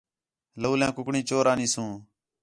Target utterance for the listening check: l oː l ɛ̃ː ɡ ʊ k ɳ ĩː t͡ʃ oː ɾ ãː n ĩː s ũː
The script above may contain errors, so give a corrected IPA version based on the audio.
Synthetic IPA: l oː l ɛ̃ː k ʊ k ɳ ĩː t͡ʃ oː ɾ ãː n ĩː s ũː